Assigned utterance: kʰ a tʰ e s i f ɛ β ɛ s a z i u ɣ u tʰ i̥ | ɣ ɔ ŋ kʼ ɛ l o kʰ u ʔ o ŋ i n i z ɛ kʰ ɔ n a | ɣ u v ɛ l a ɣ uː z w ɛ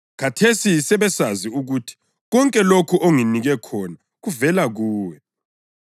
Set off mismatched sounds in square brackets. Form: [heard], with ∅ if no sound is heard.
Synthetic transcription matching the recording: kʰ a tʰ e s i [s] ɛ β ɛ s a z i u ɣ u tʰ i̥ | ɣ ɔ ŋ kʼ ɛ l o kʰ u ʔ o ŋ i n i [ɣ] ɛ kʰ ɔ n a | ɣ u v ɛ l a ɣ uː [∅] w ɛ